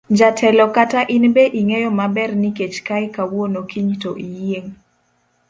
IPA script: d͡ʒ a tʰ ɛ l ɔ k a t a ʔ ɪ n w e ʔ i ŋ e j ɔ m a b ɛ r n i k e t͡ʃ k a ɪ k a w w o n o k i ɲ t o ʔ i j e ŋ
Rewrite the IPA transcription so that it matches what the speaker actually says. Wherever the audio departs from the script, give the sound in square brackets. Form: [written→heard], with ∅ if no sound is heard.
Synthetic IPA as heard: d͡ʒ a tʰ ɛ l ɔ k a t a ʔ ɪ n [w→b] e ʔ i ŋ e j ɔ m a b ɛ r n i k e t͡ʃ k a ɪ k a w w o n o k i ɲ t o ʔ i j e ŋ